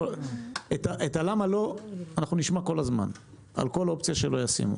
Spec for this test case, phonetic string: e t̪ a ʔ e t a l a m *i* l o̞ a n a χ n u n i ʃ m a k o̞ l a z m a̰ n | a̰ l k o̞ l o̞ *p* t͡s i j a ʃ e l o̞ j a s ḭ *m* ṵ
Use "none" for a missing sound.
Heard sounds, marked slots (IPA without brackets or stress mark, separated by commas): a, p, m